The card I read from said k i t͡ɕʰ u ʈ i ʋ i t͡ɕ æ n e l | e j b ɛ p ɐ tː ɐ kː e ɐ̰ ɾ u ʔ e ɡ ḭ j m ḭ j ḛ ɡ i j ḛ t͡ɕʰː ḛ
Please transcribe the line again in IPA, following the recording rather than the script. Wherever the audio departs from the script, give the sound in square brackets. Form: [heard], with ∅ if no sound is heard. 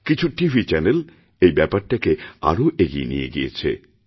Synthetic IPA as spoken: k i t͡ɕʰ u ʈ i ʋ i t͡ɕ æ n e l | e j b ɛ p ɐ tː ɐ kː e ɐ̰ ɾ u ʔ e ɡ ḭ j [n] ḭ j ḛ ɡ i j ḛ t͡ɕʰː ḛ

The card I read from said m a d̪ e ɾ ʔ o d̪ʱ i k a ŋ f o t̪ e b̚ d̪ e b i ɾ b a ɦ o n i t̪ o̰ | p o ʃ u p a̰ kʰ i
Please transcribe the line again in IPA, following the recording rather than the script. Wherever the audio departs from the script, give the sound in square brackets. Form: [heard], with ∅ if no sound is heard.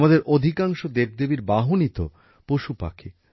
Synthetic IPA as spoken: m a d̪ e ɾ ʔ o d̪ʱ i k a ŋ [ʃ] o [d̪] e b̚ d̪ e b i ɾ b a ɦ o n i t̪ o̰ | p o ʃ u p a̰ kʰ i

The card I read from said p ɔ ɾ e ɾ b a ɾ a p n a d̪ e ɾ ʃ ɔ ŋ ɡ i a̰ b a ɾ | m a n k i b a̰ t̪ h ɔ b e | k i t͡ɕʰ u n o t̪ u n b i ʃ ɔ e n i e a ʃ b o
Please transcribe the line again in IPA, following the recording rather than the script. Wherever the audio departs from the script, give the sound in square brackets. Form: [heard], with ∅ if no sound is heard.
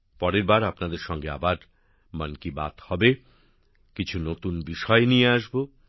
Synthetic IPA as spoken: p ɔ ɾ e ɾ b a ɾ a p n a d̪ e ɾ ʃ ɔ ŋ ɡ [e] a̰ b a ɾ | m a n k i b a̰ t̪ h ɔ b e | k i t͡ɕʰ u n o t̪ u n b i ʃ ɔ e n i e a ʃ b o

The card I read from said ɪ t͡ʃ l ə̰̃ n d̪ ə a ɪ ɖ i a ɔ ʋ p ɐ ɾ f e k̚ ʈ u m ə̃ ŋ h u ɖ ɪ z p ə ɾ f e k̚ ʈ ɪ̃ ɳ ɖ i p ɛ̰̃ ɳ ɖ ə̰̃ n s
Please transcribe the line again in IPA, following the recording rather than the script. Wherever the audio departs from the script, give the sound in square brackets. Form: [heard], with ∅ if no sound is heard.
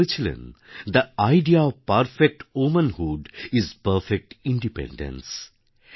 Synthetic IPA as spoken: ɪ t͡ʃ l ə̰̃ n d̪ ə a ɪ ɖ i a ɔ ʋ p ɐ ɾ f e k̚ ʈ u m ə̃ [n] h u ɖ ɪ z p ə ɾ f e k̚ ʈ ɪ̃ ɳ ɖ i p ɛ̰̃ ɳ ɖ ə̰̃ n s

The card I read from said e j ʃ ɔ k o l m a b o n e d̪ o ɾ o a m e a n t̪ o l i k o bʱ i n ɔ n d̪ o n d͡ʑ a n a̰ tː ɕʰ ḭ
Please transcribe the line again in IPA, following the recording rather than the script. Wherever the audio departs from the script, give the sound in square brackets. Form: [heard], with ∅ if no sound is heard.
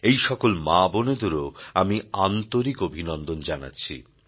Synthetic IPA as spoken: e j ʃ ɔ k o l m a b o n e d̪ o ɾ o a m [i] a n t̪ o [ɾ] i k o bʱ i n ɔ n d̪ o n d͡ʑ a n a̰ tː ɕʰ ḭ

